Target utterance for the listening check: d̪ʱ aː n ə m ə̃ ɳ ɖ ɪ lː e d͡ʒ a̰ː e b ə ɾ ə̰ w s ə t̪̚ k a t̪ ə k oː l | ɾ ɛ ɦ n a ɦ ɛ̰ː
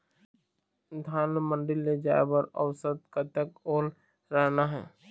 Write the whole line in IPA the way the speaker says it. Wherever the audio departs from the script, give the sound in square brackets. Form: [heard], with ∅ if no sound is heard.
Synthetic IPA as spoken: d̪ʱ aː n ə m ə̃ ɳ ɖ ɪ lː e d͡ʒ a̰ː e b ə ɾ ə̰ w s ə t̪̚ k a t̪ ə k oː l | ɾ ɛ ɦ n a ɦ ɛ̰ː